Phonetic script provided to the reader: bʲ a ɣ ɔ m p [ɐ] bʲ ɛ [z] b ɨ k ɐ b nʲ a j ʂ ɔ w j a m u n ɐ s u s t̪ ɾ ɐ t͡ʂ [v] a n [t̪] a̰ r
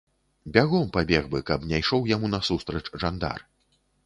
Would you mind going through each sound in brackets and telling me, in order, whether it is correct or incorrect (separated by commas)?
incorrect, incorrect, incorrect, incorrect